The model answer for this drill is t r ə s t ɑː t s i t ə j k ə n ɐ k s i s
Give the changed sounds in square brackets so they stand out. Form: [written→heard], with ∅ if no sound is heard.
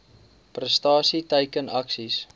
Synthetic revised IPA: [t→p] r ə s t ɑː [t→∅] s i t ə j k ə n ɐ k s i s